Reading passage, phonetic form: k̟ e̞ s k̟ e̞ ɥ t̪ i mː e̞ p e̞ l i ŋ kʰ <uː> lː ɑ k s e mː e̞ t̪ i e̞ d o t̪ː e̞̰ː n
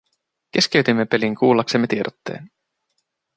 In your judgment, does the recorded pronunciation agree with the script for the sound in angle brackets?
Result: yes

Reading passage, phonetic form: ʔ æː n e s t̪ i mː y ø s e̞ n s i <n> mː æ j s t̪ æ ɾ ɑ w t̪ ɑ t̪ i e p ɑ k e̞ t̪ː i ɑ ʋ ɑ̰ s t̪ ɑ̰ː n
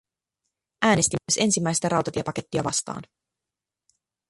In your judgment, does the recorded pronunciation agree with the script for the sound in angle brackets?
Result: no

